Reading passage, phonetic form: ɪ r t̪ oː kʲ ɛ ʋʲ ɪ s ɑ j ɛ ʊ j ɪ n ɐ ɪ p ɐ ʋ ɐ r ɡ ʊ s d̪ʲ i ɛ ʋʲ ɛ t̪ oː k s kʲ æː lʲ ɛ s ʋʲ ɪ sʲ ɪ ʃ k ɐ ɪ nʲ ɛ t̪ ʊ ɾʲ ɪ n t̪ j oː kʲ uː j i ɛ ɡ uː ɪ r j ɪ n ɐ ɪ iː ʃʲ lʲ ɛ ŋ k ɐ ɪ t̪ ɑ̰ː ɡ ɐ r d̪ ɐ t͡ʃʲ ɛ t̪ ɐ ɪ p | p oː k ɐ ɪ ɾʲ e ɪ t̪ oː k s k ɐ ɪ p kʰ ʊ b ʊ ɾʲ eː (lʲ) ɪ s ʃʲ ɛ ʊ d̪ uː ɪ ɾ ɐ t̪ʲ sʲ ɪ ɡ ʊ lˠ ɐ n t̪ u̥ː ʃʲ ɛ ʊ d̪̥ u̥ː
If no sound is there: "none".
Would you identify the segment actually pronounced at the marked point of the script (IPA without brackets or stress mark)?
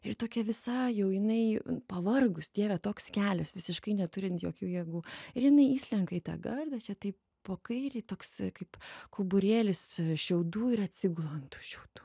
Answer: lʲ